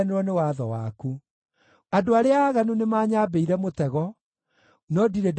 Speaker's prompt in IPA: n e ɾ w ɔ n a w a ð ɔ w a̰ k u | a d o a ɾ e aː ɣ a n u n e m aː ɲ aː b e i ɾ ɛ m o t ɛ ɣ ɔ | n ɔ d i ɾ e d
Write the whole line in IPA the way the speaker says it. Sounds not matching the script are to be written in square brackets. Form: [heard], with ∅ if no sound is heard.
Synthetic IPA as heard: n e ɾ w ɔ n [e] w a ð ɔ w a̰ k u | a d o a ɾ e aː ɣ a n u n e m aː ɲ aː b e i ɾ ɛ m o t ɛ ɣ ɔ | n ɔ d i ɾ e d